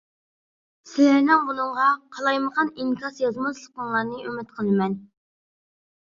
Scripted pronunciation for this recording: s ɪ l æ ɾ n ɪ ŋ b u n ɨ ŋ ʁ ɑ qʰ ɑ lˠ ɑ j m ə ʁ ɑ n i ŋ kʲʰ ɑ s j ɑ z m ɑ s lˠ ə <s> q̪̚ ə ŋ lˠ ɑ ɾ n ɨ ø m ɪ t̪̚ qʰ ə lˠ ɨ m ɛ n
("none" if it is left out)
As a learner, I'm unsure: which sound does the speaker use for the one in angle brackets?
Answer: none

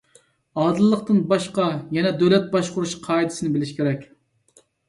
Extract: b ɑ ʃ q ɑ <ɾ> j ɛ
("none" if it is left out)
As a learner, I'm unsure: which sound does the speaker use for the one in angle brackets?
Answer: none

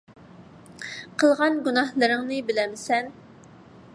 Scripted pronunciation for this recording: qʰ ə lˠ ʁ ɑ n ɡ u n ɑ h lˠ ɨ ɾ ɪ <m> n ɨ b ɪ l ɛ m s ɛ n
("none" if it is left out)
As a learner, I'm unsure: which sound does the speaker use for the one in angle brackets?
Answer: ŋ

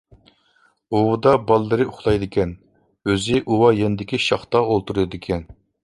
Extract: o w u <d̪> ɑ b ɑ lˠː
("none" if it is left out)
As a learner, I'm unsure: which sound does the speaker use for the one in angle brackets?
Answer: d̪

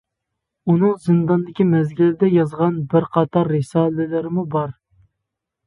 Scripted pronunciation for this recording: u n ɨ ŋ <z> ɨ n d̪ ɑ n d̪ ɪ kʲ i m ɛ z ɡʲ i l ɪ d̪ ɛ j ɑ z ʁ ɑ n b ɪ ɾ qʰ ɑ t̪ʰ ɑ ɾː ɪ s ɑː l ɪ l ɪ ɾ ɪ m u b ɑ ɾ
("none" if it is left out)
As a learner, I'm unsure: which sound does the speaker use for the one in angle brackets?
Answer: z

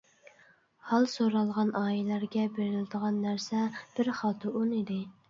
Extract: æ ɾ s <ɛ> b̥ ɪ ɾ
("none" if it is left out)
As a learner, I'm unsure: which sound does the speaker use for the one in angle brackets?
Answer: ɛ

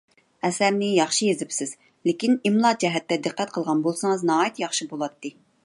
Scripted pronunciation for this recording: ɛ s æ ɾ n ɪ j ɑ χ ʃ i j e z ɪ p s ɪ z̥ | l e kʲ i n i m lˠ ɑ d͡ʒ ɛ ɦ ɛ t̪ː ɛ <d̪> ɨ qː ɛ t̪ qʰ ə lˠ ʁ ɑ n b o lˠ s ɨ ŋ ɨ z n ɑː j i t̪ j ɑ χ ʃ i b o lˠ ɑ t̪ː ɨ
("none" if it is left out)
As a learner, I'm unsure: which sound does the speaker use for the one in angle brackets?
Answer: d̪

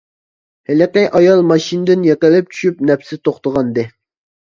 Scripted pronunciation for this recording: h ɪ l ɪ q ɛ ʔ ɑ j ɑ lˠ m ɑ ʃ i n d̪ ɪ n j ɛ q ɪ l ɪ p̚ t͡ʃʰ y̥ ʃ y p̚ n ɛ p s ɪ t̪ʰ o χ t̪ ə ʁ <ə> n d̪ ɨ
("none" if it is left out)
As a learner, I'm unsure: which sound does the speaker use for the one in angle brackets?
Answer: ɑ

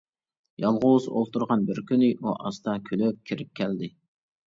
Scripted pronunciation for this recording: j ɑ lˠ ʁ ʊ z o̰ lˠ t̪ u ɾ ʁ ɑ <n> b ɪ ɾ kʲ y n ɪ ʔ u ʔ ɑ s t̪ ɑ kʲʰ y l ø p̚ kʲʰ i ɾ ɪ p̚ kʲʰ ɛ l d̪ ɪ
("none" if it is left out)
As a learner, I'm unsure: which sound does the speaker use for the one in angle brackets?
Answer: n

